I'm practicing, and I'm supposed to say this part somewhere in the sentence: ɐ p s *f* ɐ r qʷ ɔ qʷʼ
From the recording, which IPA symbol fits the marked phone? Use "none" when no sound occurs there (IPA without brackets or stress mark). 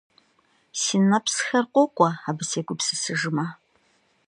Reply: x